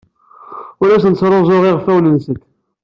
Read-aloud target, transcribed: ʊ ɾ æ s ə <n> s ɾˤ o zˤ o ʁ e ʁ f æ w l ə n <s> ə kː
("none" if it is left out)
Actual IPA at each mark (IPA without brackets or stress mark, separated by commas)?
n, s